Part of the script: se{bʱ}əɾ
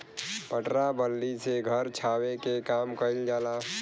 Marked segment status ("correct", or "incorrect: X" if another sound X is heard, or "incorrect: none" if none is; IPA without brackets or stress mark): incorrect: ɡʱ